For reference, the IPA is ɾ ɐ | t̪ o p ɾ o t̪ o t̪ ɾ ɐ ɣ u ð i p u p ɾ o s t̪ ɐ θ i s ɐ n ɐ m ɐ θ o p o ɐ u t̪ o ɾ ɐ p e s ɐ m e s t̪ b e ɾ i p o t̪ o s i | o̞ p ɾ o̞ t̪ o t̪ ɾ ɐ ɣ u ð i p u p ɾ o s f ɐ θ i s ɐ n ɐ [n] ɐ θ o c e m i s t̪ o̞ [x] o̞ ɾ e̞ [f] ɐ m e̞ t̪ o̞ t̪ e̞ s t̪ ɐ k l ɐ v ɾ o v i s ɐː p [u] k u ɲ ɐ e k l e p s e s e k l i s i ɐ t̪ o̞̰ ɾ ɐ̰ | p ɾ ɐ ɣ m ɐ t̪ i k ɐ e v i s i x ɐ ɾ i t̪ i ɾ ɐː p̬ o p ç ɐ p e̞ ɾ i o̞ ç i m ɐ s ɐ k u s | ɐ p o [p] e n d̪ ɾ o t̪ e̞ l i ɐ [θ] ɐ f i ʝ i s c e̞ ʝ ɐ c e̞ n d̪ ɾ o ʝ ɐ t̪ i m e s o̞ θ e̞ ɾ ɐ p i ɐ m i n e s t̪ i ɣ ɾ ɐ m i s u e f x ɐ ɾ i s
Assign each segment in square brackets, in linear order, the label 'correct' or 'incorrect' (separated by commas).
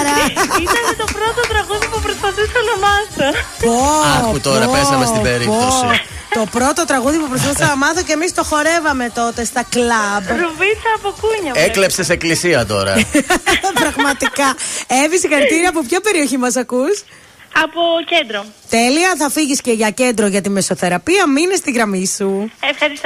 incorrect, correct, incorrect, incorrect, incorrect, correct